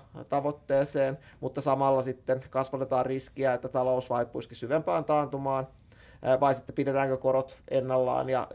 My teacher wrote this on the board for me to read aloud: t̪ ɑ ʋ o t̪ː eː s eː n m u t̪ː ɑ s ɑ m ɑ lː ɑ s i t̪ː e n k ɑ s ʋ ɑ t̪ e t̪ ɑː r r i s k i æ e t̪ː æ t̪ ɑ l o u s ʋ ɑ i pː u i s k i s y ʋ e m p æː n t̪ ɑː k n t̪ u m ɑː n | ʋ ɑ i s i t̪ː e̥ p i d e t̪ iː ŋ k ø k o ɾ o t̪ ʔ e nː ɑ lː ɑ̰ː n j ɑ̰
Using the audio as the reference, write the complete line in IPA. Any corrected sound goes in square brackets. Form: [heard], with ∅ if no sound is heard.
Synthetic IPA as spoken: t̪ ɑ ʋ o t̪ː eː s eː n m u t̪ː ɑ s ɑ m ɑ lː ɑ s i t̪ː e n k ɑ s ʋ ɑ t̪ e t̪ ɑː r r i s k i æ e t̪ː æ t̪ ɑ l o u s ʋ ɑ i pː u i s k i s y ʋ e m p æː n t̪ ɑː [∅] n t̪ u m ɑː n | ʋ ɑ i s i t̪ː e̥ p i d e t̪ [æː] ŋ k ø k o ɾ o t̪ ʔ e nː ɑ lː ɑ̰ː n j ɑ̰